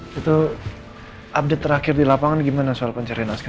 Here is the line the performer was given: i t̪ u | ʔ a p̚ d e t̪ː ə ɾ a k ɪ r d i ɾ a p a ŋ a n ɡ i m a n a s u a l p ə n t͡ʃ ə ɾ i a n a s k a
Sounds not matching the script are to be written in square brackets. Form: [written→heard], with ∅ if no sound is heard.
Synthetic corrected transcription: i t̪ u | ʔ a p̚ d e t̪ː ə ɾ a k ɪ r d i [ɾ→l] a p a ŋ a n ɡ i m a n a s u a l p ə [n→ɲ] t͡ʃ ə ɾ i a n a s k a